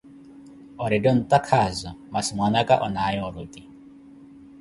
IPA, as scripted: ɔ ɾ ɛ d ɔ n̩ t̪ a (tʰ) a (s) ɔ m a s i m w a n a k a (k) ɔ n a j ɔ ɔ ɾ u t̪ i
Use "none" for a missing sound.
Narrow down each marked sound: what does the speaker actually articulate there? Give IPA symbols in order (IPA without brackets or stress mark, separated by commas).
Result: kʰ, z, ʔ